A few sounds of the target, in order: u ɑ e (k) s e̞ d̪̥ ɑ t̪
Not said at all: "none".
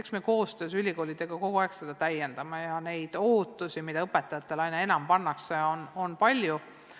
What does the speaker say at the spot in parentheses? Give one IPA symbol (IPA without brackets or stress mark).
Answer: k